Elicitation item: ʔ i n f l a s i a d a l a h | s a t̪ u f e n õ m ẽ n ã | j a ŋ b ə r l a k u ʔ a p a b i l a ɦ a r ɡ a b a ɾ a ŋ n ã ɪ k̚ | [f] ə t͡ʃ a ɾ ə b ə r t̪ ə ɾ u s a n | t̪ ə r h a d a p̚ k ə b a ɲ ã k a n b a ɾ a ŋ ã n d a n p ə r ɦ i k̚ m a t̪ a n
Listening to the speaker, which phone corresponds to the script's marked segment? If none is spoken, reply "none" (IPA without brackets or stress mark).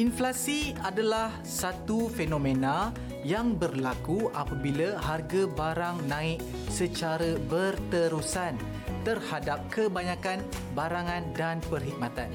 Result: s